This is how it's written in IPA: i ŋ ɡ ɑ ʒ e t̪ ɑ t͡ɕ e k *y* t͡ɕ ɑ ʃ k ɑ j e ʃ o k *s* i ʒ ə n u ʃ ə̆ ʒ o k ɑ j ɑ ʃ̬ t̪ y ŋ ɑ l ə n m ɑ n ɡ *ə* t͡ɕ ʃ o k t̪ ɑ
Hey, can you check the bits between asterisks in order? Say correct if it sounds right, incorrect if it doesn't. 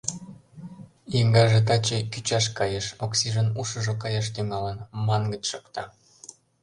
correct, correct, correct

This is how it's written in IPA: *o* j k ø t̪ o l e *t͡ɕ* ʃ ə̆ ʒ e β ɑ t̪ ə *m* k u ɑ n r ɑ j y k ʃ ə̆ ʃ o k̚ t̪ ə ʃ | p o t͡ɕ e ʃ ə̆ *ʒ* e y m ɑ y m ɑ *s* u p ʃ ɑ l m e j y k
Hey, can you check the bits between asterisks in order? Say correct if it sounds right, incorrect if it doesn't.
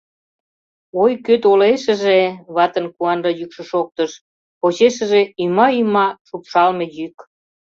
correct, incorrect: none, incorrect: n, correct, incorrect: ʃ

